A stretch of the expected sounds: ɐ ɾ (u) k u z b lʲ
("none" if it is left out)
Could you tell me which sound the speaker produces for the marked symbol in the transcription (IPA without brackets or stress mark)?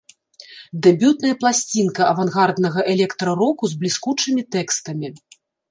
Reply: ɔ